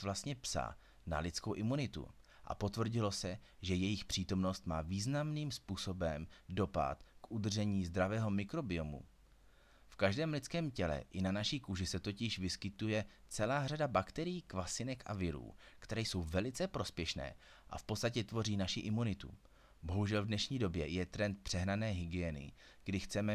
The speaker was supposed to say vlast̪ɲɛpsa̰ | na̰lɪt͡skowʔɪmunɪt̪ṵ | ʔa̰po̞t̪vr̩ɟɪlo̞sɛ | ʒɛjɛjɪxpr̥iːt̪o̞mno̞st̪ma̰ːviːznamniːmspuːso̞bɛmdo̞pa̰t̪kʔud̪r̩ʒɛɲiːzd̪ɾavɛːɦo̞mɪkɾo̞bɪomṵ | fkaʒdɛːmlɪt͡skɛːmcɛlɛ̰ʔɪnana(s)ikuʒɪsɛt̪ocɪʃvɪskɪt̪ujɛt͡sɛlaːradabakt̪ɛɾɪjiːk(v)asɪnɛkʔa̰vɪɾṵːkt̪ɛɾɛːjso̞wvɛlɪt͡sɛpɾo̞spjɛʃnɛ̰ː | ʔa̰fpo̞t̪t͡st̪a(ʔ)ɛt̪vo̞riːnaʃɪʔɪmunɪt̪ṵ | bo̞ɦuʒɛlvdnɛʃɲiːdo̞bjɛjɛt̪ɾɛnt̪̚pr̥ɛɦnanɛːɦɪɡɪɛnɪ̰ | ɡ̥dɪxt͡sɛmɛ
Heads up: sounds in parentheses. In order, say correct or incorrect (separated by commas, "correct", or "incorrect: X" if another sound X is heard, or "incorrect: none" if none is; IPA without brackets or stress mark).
incorrect: ʃ, correct, incorrect: c